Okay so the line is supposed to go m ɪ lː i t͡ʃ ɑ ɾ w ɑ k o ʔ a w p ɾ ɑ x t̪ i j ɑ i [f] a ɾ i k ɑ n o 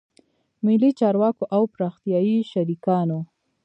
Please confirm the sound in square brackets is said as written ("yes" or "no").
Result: no